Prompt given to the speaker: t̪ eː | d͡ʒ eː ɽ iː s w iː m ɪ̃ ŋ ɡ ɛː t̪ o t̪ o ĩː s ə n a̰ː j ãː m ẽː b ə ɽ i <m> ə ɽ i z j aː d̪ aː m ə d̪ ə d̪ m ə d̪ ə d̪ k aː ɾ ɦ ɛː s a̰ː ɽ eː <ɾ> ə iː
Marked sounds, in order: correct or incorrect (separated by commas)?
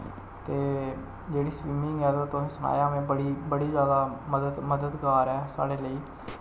incorrect, incorrect